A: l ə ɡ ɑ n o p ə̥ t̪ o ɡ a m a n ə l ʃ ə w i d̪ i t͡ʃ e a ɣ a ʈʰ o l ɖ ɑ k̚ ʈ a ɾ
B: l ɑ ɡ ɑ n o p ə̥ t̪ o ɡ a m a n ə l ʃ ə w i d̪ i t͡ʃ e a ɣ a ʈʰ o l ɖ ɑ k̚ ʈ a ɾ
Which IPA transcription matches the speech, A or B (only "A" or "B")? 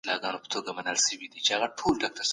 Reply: B